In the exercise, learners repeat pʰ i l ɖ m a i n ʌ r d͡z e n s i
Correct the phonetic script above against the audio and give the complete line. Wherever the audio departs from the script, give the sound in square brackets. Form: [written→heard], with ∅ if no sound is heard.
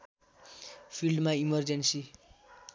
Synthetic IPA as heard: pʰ i l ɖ m a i [n→m] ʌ r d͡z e n s i